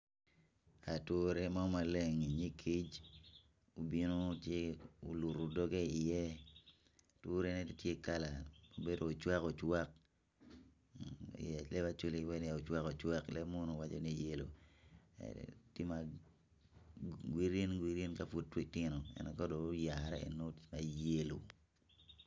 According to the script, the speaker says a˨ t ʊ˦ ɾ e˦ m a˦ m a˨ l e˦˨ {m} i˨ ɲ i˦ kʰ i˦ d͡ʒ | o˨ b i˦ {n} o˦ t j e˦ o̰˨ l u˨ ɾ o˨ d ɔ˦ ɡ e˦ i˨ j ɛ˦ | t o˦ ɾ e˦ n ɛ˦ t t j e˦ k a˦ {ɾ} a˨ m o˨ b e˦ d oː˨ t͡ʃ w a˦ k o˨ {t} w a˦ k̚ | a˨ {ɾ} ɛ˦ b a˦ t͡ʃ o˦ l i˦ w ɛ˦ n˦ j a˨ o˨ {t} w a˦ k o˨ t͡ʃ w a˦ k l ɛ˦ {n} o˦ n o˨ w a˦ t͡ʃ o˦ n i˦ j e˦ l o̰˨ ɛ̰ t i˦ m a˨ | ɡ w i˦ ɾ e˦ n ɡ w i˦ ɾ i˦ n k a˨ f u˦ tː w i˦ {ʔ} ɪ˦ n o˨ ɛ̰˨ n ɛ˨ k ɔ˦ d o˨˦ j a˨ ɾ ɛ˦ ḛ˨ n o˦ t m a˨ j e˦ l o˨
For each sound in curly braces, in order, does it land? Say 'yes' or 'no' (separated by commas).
no, yes, no, no, no, no, no, no